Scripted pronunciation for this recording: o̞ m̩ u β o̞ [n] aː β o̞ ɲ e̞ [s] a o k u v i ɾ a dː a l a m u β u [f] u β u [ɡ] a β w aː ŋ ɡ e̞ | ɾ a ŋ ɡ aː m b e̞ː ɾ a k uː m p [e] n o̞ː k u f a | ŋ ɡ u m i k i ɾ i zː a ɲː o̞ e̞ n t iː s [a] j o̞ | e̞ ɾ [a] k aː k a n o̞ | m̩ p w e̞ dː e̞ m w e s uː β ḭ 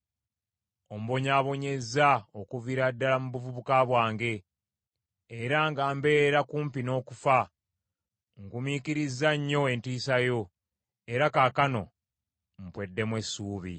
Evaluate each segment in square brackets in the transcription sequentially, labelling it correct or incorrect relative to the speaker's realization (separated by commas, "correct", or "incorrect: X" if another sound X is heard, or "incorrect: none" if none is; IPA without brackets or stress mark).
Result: incorrect: ɲ, incorrect: z, incorrect: v, incorrect: k, incorrect: i, correct, correct